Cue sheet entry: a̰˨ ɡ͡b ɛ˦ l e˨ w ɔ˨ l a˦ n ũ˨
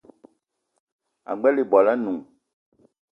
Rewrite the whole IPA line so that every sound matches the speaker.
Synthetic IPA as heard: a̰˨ ɡ͡b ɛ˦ l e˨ b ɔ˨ l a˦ n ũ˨